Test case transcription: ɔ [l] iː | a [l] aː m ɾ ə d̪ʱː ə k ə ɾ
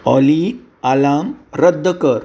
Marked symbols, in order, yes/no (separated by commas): yes, yes